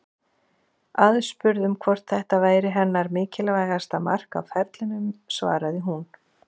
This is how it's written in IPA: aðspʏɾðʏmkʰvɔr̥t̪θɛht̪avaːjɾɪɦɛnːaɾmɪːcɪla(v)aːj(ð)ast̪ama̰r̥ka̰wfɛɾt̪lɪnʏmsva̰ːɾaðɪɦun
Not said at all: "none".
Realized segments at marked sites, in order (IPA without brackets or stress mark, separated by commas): v, ɣ